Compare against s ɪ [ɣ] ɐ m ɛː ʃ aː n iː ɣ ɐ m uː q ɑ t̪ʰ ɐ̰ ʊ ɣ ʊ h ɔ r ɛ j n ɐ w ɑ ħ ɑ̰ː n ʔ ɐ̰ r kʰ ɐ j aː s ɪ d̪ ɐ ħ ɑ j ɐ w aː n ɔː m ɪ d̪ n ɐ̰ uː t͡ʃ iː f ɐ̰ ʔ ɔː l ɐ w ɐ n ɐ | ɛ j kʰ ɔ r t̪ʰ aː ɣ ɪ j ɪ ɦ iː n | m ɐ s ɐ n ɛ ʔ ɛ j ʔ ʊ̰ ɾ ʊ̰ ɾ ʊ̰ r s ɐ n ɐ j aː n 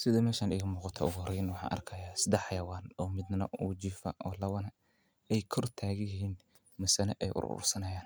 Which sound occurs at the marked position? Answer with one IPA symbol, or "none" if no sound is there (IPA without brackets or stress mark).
ð